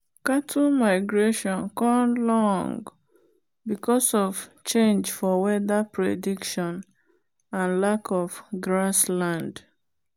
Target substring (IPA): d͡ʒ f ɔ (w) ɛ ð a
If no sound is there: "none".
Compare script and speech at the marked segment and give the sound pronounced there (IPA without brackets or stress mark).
w